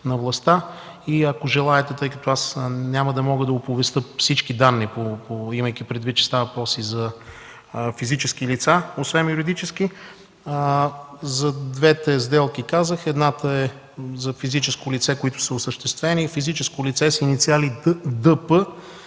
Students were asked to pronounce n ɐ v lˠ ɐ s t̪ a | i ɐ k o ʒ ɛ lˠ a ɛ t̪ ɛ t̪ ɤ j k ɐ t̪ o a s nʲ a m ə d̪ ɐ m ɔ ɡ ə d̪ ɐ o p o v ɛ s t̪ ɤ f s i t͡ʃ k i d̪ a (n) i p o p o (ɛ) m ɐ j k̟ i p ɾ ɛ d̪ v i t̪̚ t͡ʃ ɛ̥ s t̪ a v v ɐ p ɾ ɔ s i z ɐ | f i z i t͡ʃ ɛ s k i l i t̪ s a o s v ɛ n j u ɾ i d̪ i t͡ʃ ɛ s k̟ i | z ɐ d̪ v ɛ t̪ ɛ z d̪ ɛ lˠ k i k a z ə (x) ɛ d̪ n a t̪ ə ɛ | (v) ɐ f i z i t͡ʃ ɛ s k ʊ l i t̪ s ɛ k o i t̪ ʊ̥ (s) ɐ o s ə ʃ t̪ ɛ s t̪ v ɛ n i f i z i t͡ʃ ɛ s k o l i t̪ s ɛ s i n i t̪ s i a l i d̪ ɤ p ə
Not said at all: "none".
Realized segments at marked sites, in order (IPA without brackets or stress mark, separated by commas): nː, i, x, z, s